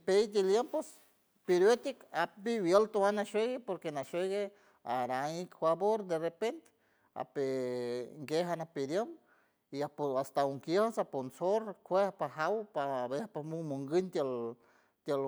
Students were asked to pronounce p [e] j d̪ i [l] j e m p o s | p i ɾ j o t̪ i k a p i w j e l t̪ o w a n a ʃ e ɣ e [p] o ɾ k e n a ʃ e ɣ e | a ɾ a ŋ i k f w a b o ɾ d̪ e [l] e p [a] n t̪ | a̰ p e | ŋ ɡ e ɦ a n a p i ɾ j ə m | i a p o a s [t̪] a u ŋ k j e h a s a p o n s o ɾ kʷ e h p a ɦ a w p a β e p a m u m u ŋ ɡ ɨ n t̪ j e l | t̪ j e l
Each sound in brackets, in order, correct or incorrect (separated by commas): correct, correct, correct, incorrect, incorrect, correct